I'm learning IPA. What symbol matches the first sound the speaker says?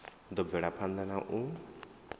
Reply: d̪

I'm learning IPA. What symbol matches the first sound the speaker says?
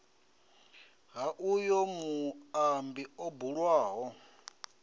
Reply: ɦ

